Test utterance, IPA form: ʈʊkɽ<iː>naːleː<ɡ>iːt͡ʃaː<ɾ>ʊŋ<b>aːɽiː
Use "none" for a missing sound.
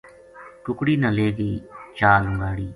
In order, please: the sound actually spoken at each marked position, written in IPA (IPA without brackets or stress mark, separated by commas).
iː, ɡ, l, ɡ